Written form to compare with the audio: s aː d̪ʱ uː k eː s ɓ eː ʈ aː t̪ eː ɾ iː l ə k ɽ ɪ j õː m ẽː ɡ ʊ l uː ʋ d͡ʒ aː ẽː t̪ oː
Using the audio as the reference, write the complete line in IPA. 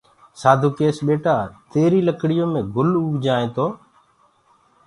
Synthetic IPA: s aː d̪ʱ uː k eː s ɓ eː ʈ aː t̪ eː ɾ iː l ə k ɽ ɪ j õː m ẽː ɡ ʊ l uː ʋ d͡ʒ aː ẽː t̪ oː

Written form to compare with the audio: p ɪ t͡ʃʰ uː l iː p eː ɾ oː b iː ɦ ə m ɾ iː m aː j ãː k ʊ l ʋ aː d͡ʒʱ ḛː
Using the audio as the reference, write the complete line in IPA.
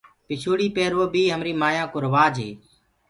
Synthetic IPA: p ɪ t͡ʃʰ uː ɽ iː p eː ɾ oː b iː ɦ ə m ɾ iː m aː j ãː k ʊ ɾ ʋ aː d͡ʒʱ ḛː

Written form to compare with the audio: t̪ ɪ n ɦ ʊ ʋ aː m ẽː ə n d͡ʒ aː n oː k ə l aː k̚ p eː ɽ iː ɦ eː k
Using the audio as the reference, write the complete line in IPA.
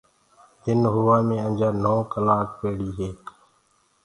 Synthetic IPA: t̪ ɪ n ɦ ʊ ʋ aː m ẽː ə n d͡ʒ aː n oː k ə l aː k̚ p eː ɽ iː ɦ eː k

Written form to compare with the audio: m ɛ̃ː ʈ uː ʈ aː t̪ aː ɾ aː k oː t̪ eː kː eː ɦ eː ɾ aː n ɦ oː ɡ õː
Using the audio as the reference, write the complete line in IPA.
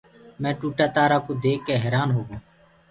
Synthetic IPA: m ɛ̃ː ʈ uː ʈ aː t̪ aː ɾ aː k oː d̪ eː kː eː ɦ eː ɾ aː n ɦ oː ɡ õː

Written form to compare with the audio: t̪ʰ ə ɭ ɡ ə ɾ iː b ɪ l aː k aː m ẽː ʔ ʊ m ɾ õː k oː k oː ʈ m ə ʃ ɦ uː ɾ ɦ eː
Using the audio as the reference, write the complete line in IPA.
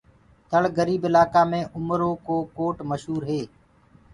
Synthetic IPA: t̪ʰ ə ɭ ɡ ə ɾ iː b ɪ l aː k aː m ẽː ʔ ʊ m ɾ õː k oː k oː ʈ m ə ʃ ɦ uː ɾ ɦ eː

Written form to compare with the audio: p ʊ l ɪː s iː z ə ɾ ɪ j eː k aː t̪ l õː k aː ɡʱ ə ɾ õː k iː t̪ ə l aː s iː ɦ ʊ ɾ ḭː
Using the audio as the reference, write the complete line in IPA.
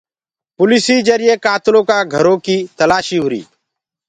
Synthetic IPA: p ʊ l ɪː s iː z ə ɾ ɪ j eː k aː t̪ l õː k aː ɡʱ ə ɾ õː k iː t̪ ə l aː ʃ iː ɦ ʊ ɾ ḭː

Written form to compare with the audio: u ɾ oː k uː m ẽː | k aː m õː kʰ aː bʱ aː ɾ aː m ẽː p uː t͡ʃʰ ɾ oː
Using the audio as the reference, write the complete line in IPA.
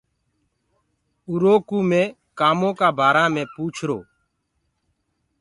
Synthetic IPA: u ɾ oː k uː m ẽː | k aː m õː k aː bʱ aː ɾ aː m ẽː p uː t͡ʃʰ ɾ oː

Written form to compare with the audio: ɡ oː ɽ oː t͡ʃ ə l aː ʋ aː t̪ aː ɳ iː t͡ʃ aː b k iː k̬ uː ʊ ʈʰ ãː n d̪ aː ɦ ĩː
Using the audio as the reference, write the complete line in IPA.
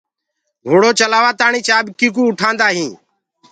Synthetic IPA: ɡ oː ɽ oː t͡ʃ ə l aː ʋ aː t̪ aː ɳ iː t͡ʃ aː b k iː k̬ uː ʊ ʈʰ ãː n d̪ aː ɦ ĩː

